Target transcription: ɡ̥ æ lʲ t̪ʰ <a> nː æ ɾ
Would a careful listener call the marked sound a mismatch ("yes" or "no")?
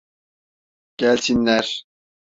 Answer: yes